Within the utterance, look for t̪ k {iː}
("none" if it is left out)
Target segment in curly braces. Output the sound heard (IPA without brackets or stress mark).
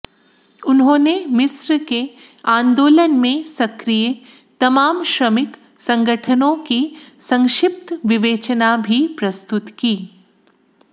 iː